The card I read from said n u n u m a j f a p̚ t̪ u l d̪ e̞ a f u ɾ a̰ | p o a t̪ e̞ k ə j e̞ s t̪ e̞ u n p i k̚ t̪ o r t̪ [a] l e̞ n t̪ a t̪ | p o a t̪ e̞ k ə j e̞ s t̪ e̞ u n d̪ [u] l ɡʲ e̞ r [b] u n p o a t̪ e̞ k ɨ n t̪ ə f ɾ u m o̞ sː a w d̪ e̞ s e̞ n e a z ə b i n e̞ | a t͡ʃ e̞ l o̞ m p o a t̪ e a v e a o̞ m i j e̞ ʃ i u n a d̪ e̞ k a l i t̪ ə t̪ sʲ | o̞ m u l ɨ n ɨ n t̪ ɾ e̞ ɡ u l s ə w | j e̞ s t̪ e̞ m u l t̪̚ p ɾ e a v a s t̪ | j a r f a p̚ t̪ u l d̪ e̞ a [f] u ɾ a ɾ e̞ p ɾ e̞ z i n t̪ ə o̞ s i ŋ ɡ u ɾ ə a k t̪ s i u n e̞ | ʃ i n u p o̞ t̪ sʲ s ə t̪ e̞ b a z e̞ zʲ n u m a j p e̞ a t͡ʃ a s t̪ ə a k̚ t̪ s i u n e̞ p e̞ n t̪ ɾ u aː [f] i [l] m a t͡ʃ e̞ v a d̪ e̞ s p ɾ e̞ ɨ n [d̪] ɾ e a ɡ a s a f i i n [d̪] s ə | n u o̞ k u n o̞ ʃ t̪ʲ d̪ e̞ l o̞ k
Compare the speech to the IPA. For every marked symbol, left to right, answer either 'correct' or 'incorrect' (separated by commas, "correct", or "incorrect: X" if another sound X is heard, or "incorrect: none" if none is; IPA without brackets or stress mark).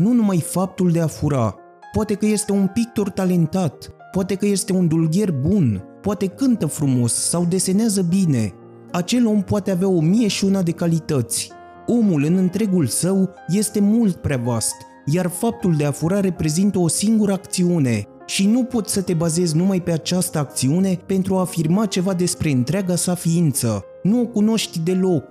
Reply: correct, correct, correct, correct, correct, incorrect: r, incorrect: t̪, incorrect: t̪